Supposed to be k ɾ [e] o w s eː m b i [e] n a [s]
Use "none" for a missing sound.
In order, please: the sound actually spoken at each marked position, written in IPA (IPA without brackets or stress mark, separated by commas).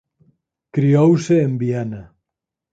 i, a, none